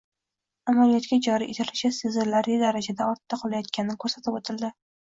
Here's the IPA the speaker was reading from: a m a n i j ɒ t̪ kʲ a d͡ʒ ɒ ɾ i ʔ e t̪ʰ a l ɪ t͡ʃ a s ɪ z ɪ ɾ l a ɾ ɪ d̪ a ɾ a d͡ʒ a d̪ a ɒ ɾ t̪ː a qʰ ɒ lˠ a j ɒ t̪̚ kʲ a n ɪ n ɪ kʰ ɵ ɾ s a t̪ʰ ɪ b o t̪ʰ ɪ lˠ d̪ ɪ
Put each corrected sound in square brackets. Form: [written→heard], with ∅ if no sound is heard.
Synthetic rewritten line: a m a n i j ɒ t̪ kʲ a d͡ʒ ɒ ɾ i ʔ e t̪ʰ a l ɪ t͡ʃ a s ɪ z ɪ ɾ l a ɾ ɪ d̪ a ɾ a d͡ʒ a d̪ a ɒ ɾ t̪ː a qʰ ɒ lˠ a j ɒ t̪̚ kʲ a n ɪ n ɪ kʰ ɵ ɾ s a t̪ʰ ɪ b o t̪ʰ ɪ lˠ d̪ ɪ